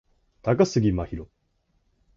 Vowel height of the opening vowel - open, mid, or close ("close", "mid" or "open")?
open